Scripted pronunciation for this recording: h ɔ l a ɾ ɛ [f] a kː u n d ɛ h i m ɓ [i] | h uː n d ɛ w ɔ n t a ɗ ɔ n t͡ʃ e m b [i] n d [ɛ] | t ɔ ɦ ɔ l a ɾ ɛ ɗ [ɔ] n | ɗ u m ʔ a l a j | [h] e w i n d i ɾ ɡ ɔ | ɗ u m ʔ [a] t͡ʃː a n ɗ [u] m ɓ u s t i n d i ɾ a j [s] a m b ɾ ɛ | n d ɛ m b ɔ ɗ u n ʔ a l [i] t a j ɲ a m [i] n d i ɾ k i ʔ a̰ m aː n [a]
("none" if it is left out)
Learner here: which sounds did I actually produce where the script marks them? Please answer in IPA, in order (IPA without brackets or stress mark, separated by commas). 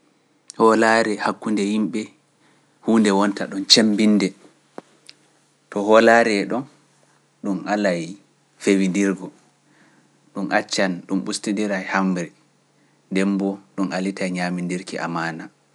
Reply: h, ɛ, i, ɛ, ɔ, f, a, u, h, i, i, a